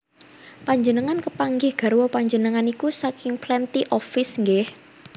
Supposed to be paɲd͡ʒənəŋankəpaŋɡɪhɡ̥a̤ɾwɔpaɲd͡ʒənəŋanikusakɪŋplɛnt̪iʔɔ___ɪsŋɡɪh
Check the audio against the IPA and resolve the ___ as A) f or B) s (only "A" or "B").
A